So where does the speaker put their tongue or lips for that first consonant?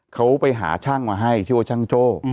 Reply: velum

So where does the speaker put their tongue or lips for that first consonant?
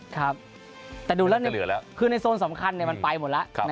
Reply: velum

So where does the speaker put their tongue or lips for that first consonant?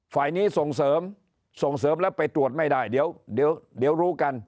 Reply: lips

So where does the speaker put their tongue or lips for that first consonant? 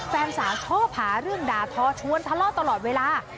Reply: lips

